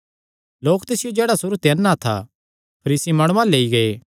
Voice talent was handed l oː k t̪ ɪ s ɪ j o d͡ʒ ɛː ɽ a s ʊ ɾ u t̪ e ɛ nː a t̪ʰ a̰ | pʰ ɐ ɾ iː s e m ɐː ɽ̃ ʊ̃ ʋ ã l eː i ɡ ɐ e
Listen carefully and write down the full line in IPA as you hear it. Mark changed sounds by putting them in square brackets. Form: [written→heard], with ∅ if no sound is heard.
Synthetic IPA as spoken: l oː k t̪ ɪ s ɪ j o d͡ʒ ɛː ɽ a s ʊ ɾ u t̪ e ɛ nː a t̪ʰ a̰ | pʰ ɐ ɾ iː s [e→i] m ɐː ɽ̃ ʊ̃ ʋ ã l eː i ɡ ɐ e